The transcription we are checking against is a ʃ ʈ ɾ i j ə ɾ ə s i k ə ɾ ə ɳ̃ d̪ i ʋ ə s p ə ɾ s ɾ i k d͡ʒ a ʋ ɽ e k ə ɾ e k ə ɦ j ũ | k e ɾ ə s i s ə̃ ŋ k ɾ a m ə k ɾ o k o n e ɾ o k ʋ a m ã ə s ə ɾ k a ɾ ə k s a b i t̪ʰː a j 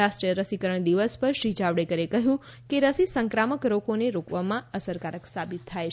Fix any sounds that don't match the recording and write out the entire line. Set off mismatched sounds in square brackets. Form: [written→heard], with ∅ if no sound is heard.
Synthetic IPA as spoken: a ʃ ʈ ɾ i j ə ɾ ə s i k ə ɾ ə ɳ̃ d̪ i ʋ ə s p ə ɾ [s→ʃ] ɾ i [k→∅] d͡ʒ a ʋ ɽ e k ə ɾ e k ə ɦ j ũ | k e ɾ ə s i s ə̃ ŋ k ɾ a m ə k ɾ o k o n e ɾ o k ʋ a m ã ə s ə ɾ k a ɾ ə k s a b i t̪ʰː a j